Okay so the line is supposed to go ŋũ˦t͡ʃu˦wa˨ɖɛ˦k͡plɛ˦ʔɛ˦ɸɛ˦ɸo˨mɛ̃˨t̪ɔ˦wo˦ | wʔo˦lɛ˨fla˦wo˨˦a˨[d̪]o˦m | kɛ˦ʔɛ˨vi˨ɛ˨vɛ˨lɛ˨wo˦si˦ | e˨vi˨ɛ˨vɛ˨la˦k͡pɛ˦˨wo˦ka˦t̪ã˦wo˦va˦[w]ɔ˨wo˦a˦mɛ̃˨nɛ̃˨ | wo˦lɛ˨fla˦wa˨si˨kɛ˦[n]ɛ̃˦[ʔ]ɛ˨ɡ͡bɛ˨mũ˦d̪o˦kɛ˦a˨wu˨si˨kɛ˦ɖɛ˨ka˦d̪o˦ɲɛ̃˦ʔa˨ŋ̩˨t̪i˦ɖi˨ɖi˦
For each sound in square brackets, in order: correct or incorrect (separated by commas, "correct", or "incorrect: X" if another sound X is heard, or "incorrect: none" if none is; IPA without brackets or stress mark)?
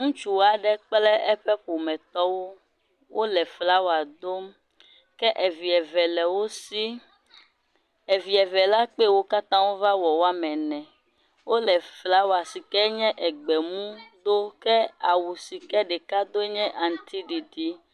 correct, correct, incorrect: ɲ, correct